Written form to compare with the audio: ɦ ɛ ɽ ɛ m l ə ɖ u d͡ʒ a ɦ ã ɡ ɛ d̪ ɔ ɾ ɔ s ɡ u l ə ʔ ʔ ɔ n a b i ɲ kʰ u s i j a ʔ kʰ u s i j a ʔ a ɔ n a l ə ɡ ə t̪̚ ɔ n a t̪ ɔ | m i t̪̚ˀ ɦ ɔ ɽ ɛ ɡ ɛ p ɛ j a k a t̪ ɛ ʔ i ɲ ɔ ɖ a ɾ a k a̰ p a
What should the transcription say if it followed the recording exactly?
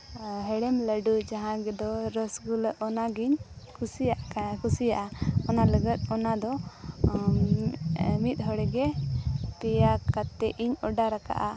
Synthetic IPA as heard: ɦ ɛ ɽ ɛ m l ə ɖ u d͡ʒ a ɦ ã ɡ ɛ d̪ ɔ ɾ ɔ s ɡ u l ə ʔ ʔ ɔ n a ɡ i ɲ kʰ u s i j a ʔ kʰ u s i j a ʔ a ɔ n a l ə ɡ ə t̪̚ ɔ n a d̪ ɔ | m i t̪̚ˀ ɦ ɔ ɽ ɛ ɡ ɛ p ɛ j a k a t̪ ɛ ʔ i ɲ ɔ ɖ a ɾ a k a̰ ʔ a

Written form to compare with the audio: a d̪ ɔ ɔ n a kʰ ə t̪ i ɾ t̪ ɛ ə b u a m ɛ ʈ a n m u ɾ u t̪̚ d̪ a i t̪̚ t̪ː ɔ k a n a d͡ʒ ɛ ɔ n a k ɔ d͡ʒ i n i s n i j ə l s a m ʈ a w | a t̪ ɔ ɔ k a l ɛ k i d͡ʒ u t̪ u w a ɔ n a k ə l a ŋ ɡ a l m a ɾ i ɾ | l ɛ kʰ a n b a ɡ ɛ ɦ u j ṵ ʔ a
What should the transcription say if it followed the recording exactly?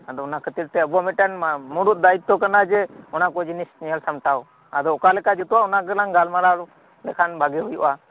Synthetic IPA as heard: a d̪ ɔ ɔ n a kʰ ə t̪ i ɾ t̪ ɛ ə b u a m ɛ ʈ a n m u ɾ u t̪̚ d̪ a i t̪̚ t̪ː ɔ k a n a d͡ʒ ɛ ɔ n a k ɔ d͡ʒ i n i s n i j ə l s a m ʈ a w | a d̪ ɔ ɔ k a l ɛ k a d͡ʒ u t̪ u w a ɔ n a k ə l a ŋ ɡ a l m a ɾ a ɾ | l ɛ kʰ a n b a ɡ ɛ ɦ u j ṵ ʔ a

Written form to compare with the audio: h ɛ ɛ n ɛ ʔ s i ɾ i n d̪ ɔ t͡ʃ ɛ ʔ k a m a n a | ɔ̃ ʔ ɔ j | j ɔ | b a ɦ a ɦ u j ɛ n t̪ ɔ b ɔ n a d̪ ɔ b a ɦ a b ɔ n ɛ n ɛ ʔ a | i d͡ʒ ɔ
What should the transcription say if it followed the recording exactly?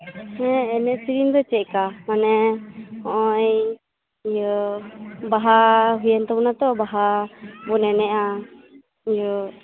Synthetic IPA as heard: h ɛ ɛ n ɛ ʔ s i ɾ i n d̪ ɔ t͡ʃ ɛ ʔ k a m a n ɛ | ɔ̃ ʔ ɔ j | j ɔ | b a ɦ a ɦ u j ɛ n t̪ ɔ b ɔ n a t̪ ɔ b a ɦ a b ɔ n ɛ n ɛ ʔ a | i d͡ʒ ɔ

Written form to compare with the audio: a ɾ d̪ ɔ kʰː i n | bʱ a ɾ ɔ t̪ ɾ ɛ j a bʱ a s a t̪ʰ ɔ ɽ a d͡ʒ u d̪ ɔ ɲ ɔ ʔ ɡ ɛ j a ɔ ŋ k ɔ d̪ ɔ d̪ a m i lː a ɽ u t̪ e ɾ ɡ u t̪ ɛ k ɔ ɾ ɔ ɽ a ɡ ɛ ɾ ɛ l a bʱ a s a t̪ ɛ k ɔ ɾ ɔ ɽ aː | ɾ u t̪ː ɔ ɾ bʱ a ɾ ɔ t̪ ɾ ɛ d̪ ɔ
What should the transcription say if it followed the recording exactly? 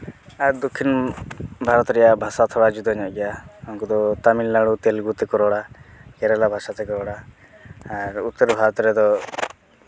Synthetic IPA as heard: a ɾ d̪ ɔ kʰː i n | bʱ a ɾ ɔ t̪ ɾ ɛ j a bʱ a s a t̪ʰ ɔ ɽ a d͡ʒ u d̪ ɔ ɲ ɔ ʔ ɡ ɛ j a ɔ ŋ k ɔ d̪ ɔ t̪ a m i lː a ɽ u t̪ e l ɡ u t̪ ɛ k ɔ ɾ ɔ ɽ a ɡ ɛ ɾ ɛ l a bʱ a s a t̪ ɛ k ɔ ɾ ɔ ɽ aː | ɾ u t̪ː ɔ ɾ bʱ a ɾ ɔ t̪ ɾ ɛ d̪ ɔ

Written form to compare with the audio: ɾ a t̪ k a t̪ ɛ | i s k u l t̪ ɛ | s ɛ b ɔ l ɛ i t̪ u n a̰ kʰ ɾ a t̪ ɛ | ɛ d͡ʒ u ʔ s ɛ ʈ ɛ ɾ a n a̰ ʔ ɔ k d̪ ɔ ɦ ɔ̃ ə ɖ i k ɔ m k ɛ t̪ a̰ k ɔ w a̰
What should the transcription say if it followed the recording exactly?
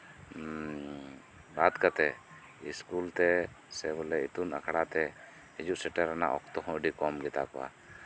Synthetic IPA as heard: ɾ a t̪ k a t̪ ɛ | i s k u l t̪ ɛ | s ɛ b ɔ l ɛ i t̪ u n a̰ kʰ ɽ a t̪ ɛ | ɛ d͡ʒ u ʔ s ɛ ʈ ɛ ɾ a n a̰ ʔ ɔ k t̪ ɔ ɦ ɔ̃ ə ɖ i k ɔ m ɡ ɛ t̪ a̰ k ɔ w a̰

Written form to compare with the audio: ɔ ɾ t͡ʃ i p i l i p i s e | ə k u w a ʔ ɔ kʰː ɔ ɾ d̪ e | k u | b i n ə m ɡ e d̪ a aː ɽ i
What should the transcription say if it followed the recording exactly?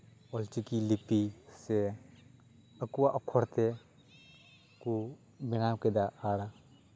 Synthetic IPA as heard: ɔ l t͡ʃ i k i l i p i s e | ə k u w a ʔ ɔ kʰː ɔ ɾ t̪ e | k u | b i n a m k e d̪ a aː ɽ a

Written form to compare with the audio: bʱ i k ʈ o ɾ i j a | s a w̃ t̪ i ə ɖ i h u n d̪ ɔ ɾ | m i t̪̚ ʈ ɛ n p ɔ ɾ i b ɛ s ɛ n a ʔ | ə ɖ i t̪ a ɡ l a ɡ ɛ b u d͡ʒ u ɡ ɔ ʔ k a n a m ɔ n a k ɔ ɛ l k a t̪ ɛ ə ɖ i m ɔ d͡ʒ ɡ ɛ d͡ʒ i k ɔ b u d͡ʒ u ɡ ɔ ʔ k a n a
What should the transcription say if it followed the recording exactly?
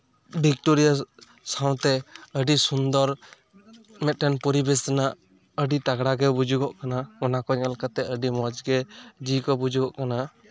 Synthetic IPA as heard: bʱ i k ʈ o ɾ i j a | s a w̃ t̪ ɛ ə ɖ i s u n d̪ ɔ ɾ | m ɛ t̪̚ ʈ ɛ n p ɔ ɾ i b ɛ s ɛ n a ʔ | ə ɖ i t̪ a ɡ ɽ a ɡ ɛ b u d͡ʒ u ɡ ɔ ʔ k a n a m ɔ n a k ɔ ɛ l k a t̪ ɛ ə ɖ i m ɔ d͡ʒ ɡ ɛ d͡ʒ i k ɔ b u d͡ʒ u ɡ ɔ ʔ k a n a

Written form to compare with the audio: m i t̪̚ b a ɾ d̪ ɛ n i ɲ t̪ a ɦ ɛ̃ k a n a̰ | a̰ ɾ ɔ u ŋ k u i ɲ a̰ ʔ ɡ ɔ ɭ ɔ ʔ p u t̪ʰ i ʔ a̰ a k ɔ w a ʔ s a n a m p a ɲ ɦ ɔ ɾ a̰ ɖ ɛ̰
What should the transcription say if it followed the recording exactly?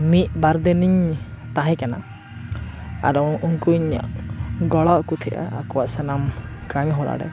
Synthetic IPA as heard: m i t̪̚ b a ɾ d̪ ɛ n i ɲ t̪ a ɦ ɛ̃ k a n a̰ | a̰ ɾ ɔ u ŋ k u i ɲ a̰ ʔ ɡ ɔ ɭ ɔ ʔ k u t̪ʰ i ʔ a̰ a k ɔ w a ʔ s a n a m k a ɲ ɦ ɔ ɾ a̰ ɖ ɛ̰

